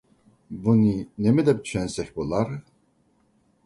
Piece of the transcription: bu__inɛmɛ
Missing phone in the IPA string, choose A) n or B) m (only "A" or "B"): A